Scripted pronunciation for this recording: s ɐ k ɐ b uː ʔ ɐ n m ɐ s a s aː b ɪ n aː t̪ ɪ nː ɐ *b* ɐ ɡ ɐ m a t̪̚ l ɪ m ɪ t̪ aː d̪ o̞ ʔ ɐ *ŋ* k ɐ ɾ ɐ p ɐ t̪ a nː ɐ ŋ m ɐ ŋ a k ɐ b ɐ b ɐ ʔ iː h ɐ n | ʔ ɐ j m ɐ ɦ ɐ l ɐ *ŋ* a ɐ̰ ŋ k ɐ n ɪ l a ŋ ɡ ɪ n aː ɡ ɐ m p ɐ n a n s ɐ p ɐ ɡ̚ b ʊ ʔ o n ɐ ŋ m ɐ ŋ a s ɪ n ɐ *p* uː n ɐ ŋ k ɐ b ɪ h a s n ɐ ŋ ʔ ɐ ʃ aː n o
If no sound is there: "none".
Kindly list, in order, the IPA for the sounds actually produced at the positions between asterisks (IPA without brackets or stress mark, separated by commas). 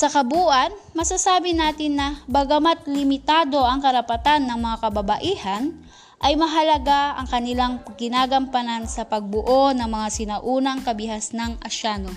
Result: b, ŋ, ɡ, ʔ